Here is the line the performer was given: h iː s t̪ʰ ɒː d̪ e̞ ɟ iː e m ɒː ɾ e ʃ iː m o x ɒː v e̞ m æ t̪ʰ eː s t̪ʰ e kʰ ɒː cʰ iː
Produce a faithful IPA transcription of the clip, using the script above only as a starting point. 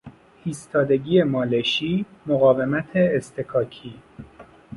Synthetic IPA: h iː s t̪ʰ ɒː d̪ e̞ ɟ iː e m ɒː l e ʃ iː m o ɣ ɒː v e̞ m æ t̪ʰ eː s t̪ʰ e kʰ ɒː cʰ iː